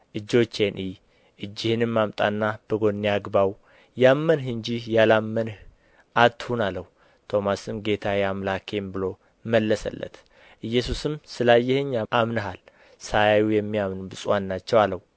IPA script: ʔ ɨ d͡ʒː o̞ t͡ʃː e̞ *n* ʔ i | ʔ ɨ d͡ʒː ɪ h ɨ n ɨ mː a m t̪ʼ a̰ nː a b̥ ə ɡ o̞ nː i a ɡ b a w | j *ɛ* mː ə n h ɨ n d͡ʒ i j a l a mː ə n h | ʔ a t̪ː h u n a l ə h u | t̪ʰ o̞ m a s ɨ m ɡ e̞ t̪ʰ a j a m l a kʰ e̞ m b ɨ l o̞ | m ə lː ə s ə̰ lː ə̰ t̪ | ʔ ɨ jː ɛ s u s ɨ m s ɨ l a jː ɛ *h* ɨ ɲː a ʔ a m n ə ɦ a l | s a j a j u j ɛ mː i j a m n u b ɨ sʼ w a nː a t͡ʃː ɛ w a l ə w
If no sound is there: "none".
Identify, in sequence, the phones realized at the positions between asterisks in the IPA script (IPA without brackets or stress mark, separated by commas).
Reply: n, a, h